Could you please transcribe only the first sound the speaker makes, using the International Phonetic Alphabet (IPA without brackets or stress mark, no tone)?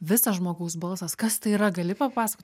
ʋʲ